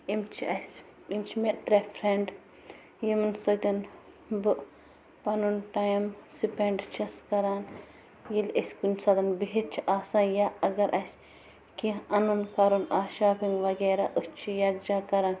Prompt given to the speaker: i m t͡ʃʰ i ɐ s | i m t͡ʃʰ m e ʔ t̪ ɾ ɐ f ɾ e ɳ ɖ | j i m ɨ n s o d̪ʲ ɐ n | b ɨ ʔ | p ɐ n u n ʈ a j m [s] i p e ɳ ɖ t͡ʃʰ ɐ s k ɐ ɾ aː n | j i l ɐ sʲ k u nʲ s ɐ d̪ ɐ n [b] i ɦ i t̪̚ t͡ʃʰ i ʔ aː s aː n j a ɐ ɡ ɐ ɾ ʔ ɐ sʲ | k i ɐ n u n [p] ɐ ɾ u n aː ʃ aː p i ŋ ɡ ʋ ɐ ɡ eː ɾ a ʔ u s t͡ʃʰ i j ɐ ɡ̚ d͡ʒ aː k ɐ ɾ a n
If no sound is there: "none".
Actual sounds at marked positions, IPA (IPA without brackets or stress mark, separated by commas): s, b, k